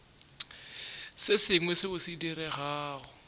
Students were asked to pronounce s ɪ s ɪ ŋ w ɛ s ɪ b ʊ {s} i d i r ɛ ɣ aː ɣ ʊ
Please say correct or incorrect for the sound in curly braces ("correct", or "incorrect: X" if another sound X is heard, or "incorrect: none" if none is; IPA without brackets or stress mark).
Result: correct